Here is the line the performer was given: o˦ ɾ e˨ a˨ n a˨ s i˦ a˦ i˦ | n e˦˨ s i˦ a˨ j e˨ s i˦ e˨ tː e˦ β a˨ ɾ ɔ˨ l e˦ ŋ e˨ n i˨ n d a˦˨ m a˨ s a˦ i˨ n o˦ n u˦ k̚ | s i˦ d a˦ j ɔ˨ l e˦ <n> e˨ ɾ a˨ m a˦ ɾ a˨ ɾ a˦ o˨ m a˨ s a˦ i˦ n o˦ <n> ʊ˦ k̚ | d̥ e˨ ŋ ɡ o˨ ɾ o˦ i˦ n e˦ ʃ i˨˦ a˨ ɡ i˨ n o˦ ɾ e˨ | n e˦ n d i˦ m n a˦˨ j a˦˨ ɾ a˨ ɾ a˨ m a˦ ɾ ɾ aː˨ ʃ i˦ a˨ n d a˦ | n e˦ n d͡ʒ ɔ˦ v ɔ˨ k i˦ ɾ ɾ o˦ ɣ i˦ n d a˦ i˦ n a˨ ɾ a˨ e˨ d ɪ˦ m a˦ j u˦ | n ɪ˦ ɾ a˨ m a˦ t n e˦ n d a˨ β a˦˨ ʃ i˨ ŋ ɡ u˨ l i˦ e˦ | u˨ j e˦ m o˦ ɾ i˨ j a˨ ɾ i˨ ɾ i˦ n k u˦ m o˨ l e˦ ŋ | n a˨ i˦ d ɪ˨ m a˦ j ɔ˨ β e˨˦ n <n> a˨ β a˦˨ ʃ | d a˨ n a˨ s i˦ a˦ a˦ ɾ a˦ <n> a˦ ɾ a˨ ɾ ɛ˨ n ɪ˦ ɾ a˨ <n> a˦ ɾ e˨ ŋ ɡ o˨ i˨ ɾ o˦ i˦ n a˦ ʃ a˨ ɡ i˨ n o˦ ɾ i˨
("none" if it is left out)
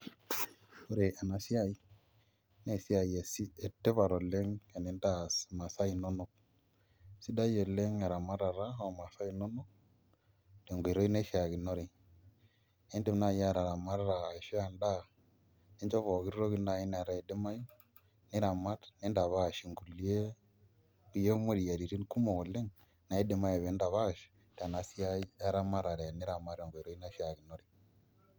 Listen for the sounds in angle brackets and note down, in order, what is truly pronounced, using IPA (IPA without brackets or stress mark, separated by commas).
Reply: ŋ, n, d, m, m